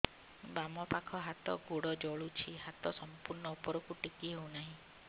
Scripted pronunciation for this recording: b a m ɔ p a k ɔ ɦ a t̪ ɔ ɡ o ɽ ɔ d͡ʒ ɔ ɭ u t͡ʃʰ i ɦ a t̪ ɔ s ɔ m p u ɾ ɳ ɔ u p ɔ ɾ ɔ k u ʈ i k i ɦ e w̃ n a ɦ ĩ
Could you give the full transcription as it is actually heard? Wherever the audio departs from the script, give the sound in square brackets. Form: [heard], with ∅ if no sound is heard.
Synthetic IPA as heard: b a m ɔ p a [kʰ] ɔ ɦ a t̪ ɔ ɡ o ɽ ɔ d͡ʒ ɔ ɭ u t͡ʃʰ i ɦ a t̪ ɔ s ɔ m p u ɾ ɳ ɔ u p ɔ ɾ ɔ k u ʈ i k i ɦ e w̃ n a ɦ ĩ

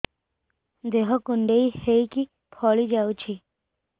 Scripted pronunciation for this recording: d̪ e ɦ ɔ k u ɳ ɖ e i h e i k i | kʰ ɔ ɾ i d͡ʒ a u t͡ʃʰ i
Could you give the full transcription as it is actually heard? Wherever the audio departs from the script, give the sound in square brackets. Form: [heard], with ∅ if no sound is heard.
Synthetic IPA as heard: d̪ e ɦ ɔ k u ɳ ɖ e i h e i k i | [pʰ] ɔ [ɭ] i d͡ʒ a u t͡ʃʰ i

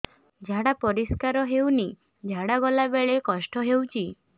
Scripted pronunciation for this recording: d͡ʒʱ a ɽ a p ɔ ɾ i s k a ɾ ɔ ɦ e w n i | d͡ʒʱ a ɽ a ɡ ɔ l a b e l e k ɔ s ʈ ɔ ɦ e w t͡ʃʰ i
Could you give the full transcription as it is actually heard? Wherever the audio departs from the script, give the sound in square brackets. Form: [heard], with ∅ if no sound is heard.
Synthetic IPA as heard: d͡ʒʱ a ɽ a p ɔ ɾ i s k a ɾ ɔ ɦ e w n i | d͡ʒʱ a ɽ a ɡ ɔ l a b e [ɭ] e k ɔ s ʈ ɔ ɦ e w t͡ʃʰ i

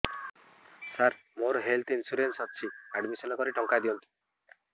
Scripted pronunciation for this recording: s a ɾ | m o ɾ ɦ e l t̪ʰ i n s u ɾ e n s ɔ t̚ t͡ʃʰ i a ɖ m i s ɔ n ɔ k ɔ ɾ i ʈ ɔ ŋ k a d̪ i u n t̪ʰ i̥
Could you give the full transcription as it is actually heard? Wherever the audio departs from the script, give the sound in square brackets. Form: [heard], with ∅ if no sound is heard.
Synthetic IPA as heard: s a ɾ | m o ɾ ɦ e l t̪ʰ i n s u ɾ e n s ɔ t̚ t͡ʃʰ i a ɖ m i s ɔ n ɔ k ɔ ɾ i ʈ ɔ ŋ k a d̪ i [ɔ] n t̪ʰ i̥

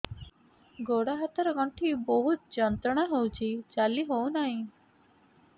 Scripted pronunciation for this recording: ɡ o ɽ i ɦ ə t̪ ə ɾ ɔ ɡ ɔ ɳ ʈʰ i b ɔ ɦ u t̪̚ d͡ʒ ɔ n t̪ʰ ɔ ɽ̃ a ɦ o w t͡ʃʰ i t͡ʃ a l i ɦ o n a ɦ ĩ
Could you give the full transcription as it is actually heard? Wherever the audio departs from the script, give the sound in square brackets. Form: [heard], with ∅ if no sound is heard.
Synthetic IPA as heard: ɡ o ɽ [a] ɦ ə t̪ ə ɾ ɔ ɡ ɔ ɳ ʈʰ i b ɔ ɦ u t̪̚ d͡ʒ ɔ n [t̪] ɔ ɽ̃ a ɦ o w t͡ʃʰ i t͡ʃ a l i ɦ o n a ɦ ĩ

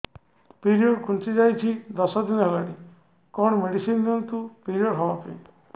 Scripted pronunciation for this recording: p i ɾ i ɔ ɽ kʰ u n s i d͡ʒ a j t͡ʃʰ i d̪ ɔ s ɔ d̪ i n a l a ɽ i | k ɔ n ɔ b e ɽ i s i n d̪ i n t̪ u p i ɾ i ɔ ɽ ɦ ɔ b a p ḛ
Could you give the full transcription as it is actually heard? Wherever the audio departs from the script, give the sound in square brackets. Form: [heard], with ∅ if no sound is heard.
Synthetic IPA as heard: p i ɾ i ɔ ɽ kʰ u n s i d͡ʒ a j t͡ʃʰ i d̪ ɔ s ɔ d̪ i n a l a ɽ i | k ɔ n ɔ [m] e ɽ i s i n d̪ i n t̪ u p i ɾ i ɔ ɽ ɦ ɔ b a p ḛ

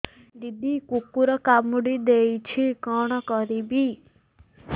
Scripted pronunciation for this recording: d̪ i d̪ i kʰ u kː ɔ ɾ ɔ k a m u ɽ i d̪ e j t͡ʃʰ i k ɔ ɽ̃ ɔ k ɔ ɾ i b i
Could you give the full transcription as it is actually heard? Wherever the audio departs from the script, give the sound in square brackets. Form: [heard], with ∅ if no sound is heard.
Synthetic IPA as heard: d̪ i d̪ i [k] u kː [u] ɾ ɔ k a m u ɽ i d̪ e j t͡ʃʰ i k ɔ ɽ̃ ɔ k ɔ ɾ i b i

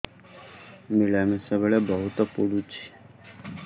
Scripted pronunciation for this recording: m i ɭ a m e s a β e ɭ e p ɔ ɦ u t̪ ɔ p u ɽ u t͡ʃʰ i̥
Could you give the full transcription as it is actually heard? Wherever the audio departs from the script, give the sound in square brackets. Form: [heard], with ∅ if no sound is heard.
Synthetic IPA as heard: m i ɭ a m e s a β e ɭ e [b] ɔ ɦ u t̪ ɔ p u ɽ u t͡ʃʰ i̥

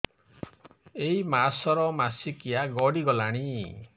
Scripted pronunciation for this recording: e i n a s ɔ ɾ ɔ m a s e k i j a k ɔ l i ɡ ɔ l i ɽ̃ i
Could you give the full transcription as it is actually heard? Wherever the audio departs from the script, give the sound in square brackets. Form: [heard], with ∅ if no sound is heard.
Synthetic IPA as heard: e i [m] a s ɔ ɾ ɔ m a s [i] k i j a [ɡ] ɔ [ɽ] i ɡ ɔ l [a] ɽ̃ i

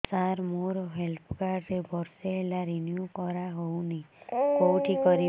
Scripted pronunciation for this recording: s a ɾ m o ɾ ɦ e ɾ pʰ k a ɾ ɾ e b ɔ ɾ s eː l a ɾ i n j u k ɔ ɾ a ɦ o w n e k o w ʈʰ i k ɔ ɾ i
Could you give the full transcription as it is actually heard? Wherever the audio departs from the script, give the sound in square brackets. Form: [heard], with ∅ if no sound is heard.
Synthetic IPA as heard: s a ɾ m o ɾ ɦ e [l] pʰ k a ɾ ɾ e b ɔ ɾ s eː l a ɾ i n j u k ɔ ɾ a ɦ o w n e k o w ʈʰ i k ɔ ɾ i

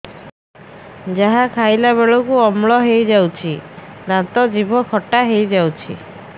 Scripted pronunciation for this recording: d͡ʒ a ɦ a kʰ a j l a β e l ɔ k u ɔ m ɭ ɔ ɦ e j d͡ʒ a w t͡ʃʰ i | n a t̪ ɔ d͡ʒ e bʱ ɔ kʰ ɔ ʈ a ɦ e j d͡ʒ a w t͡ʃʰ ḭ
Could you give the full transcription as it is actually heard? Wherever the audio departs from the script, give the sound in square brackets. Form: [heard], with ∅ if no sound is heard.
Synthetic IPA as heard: d͡ʒ a ɦ a kʰ a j l a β e [ɭ] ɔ k u ɔ m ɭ ɔ ɦ e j d͡ʒ a w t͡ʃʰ i | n a t̪ ɔ d͡ʒ [i] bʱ ɔ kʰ ɔ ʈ a ɦ e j d͡ʒ a w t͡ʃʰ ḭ

